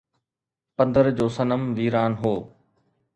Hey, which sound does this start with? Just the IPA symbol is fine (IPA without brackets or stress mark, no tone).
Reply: p